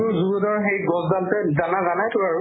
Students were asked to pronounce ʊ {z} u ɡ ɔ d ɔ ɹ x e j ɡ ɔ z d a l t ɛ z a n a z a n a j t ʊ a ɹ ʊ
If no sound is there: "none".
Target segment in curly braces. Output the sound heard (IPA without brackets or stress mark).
z